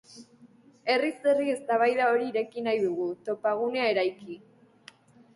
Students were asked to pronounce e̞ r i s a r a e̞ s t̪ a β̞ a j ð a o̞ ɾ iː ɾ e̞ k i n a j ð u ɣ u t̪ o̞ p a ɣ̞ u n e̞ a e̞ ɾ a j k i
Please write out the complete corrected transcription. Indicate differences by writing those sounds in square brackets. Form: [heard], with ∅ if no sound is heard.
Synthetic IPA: e̞ r i s [e] r [i] e̞ s t̪ a β̞ a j ð a o̞ ɾ iː ɾ e̞ k i n a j ð u ɣ u t̪ o̞ p a ɣ̞ u n e̞ a e̞ ɾ a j k i